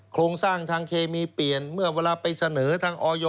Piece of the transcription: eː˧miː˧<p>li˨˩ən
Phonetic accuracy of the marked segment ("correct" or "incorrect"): correct